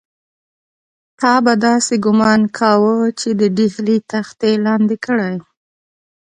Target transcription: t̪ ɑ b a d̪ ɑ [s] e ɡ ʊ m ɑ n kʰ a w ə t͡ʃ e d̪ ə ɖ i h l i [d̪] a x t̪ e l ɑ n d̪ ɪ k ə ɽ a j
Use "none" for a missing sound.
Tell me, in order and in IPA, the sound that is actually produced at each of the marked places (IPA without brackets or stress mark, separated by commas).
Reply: s, t̪